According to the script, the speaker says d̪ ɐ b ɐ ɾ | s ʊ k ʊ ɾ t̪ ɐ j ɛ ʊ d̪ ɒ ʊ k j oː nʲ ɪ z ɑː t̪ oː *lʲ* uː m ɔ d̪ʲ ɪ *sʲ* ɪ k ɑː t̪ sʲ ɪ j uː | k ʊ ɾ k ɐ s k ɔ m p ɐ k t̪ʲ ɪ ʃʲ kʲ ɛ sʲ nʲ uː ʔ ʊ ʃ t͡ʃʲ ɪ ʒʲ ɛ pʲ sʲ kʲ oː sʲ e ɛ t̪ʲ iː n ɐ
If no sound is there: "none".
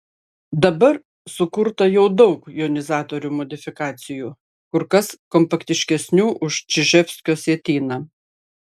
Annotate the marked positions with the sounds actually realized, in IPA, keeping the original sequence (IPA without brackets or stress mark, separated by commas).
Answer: ɾʲ, fʲ